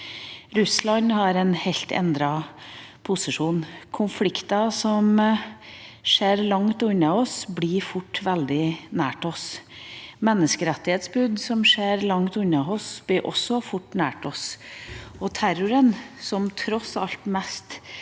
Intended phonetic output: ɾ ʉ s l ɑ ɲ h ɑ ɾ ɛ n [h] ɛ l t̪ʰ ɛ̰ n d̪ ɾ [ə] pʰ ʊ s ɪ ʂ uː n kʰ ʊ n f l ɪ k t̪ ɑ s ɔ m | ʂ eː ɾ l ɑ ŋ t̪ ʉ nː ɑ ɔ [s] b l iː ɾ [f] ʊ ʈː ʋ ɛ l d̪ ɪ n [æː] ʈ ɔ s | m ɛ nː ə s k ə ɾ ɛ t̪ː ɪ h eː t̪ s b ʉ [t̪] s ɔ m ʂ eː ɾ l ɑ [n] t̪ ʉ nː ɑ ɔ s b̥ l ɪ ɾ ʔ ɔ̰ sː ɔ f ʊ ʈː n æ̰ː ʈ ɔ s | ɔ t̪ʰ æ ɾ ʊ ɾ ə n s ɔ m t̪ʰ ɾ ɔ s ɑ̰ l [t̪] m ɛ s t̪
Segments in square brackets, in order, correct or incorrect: correct, incorrect: ɑ, correct, correct, correct, incorrect: d̪, incorrect: ŋ, correct

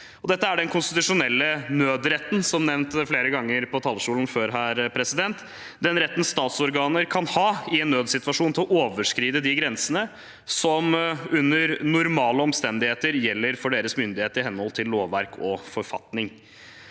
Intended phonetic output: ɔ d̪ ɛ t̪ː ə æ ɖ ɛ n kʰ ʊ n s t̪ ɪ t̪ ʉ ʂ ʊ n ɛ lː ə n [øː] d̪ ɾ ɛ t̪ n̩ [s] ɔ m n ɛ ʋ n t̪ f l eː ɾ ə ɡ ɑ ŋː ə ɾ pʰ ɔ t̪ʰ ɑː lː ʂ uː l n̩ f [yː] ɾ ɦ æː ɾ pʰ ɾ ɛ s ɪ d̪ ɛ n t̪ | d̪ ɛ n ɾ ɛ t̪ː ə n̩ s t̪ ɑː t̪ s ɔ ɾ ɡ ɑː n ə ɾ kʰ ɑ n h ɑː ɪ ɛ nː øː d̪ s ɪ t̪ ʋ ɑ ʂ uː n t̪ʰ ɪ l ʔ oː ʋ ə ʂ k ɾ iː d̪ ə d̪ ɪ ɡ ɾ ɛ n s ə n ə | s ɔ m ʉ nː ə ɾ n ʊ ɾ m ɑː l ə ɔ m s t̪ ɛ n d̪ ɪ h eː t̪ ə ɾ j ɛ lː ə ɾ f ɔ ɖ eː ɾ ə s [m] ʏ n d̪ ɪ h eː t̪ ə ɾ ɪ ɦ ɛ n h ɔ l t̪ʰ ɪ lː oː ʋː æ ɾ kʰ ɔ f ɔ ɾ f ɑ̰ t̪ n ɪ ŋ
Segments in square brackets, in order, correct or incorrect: correct, correct, incorrect: øː, correct

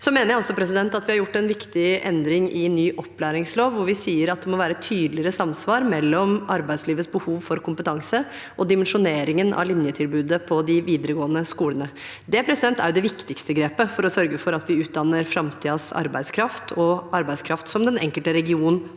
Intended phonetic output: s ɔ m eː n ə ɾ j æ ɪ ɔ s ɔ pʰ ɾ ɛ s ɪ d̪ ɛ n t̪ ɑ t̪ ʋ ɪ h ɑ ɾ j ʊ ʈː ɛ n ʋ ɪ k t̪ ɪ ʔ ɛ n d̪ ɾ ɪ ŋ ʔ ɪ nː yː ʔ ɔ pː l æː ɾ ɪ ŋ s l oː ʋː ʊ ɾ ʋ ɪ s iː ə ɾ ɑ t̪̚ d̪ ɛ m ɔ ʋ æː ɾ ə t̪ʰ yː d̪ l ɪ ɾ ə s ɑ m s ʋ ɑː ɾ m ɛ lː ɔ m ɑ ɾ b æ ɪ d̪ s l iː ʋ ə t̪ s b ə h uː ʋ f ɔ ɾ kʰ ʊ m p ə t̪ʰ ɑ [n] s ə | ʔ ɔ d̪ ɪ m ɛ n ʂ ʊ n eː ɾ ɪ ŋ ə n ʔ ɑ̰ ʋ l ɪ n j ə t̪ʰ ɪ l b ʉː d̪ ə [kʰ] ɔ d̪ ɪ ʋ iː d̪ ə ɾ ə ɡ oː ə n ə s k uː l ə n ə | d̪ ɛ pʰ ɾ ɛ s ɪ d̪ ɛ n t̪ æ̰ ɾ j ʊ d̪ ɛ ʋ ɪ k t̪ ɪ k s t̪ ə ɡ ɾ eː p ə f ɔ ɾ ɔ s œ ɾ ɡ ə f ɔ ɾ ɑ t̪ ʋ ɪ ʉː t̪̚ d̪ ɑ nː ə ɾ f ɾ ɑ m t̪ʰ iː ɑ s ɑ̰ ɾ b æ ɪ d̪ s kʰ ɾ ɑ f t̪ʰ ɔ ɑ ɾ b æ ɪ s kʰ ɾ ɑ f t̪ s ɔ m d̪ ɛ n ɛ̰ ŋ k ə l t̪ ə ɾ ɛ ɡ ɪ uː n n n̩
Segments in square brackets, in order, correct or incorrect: incorrect: ŋ, incorrect: pʰ

